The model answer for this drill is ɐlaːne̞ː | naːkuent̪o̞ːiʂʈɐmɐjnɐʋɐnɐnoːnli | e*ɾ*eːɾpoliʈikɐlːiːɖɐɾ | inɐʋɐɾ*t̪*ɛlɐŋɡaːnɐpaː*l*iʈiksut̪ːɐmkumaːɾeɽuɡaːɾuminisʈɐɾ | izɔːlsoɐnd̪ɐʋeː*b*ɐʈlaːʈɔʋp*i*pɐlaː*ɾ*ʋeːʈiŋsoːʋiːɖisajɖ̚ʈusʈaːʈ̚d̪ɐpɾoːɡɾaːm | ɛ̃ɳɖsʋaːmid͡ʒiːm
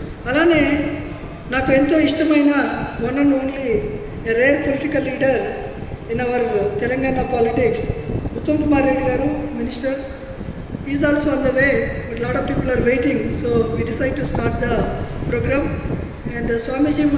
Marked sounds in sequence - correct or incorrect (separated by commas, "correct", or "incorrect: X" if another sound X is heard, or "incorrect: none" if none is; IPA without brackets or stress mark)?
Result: correct, correct, correct, correct, incorrect: iː, correct